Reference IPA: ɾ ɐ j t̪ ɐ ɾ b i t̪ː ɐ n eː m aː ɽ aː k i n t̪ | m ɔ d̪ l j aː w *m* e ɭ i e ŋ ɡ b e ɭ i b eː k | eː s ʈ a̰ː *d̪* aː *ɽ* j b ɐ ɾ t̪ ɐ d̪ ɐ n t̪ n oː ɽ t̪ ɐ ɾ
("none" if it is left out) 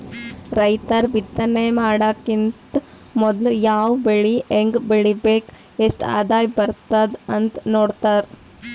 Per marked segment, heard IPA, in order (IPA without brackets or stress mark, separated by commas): b, d̪, none